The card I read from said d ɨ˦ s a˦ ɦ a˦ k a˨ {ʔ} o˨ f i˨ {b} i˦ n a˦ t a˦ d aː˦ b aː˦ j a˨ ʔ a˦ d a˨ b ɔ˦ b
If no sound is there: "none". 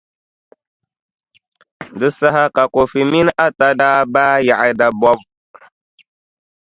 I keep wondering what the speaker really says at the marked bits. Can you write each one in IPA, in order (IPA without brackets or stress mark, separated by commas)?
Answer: k, m